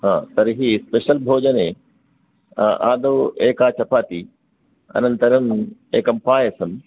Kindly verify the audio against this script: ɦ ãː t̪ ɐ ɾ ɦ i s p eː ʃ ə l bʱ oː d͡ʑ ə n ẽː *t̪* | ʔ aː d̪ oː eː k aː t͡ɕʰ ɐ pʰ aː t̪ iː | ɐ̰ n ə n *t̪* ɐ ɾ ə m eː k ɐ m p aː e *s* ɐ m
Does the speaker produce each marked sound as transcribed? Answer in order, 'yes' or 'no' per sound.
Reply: no, yes, yes

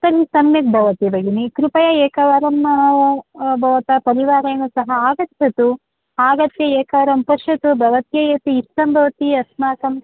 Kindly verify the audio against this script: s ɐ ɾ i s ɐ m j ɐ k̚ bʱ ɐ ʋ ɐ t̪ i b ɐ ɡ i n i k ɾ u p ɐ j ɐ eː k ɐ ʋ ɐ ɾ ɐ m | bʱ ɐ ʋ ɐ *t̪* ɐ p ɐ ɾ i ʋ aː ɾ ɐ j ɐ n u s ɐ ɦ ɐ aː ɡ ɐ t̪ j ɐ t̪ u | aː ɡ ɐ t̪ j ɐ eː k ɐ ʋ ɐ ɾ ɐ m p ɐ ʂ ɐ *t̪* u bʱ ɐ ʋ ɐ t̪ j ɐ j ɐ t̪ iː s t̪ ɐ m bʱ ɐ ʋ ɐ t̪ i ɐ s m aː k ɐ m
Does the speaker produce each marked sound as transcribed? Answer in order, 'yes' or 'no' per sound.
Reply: yes, yes

